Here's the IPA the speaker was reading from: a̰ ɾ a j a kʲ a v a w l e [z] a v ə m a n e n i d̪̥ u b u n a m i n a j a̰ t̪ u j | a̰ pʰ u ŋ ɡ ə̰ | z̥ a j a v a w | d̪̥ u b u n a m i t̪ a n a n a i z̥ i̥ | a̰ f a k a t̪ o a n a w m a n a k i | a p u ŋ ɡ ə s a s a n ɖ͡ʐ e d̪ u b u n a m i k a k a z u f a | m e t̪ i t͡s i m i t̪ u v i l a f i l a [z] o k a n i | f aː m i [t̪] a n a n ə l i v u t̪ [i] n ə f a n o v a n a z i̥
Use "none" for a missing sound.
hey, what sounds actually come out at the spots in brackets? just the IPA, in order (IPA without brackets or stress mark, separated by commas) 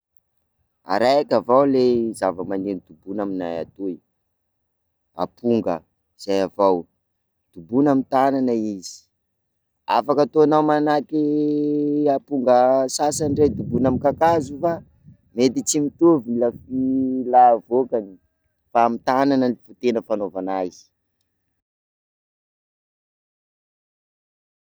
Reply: z, v, t̪, e